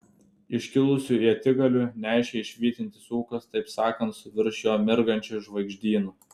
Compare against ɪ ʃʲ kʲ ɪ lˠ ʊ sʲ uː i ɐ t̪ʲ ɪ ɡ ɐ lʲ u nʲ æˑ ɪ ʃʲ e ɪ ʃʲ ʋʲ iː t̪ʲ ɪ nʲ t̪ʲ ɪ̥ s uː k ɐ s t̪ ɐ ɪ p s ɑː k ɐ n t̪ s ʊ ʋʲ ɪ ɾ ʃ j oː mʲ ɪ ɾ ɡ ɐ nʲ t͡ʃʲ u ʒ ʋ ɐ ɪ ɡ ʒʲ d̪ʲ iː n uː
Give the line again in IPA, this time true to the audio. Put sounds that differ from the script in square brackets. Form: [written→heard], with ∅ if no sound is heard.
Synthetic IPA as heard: ɪ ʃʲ kʲ ɪ lˠ ʊ sʲ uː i ɐ t̪ʲ ɪ ɡ ɐ lʲ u nʲ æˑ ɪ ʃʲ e ɪ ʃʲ ʋʲ iː t̪ʲ ɪ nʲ t̪ʲ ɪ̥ s uː k ɐ s t̪ ɐ ɪ p s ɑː k ɐ n t̪ s ʊ ʋʲ ɪ ɾ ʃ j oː mʲ ɪ ɾ ɡ ɐ nʲ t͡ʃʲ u ʒ ʋ ɐ ɪ ɡ ʒʲ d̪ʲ iː n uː